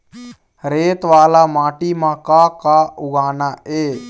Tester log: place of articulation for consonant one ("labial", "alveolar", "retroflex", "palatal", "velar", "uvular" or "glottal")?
alveolar